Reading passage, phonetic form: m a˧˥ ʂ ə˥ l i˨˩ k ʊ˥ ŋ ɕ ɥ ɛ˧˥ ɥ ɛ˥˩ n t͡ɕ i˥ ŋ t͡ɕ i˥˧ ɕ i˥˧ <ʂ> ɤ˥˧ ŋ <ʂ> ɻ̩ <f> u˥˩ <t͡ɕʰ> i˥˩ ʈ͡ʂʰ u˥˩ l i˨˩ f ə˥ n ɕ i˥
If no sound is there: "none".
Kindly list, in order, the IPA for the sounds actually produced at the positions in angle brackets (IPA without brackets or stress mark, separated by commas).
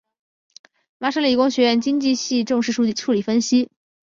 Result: ʈ͡ʂ, ʂ, ʂ, t͡ɕ